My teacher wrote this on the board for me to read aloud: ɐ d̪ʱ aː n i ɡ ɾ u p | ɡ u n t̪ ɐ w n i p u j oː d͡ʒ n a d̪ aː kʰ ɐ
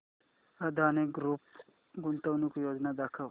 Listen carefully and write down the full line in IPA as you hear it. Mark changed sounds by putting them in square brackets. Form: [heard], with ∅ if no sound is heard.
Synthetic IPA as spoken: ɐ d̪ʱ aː n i ɡ ɾ u p | ɡ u n t̪ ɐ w n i [k] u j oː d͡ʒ n a d̪ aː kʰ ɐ